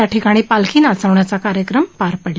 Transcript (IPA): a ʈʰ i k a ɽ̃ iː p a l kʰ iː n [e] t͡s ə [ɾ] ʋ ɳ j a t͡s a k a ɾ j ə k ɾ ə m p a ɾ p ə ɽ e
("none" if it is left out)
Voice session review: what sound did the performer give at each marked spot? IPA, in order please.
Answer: a, none

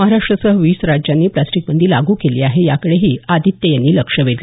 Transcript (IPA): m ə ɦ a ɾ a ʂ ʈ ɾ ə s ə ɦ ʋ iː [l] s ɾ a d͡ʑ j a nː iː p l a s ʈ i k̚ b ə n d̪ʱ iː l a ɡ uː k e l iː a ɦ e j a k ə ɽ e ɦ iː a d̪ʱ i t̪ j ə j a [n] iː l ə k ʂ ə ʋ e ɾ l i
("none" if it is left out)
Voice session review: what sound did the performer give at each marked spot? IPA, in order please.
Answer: none, nː

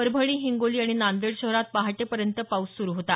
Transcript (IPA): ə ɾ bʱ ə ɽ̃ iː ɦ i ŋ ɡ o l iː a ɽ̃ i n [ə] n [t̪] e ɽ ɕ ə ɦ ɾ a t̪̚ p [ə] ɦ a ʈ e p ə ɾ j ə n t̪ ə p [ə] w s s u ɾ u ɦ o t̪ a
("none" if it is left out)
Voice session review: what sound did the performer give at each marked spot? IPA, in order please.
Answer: a, d̪, a, a

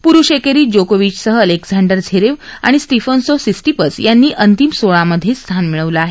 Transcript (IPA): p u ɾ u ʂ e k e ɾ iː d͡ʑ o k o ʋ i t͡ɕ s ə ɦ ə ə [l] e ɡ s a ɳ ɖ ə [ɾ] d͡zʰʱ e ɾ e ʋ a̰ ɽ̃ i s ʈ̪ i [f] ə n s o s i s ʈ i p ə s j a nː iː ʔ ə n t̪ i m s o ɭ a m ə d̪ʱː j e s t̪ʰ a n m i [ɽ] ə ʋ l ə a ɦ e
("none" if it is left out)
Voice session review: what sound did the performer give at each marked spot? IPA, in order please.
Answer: l, ɾ, f, ɭ

